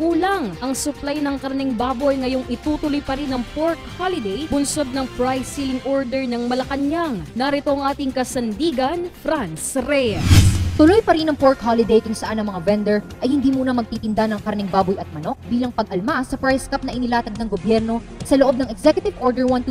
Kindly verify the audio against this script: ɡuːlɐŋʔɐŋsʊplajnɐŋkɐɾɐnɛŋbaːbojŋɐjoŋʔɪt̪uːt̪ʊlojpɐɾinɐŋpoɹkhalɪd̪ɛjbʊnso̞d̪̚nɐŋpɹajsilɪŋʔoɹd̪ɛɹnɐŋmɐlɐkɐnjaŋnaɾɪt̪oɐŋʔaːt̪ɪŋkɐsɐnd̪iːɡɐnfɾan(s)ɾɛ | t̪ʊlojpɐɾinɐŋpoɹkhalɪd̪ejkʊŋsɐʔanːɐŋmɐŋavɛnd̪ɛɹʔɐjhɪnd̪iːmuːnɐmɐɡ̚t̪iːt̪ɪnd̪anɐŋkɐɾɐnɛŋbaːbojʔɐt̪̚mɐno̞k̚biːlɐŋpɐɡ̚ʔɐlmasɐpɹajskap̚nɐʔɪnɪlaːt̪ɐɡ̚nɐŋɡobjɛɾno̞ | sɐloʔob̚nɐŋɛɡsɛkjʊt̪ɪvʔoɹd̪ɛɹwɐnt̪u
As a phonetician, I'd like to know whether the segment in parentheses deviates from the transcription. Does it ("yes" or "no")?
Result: no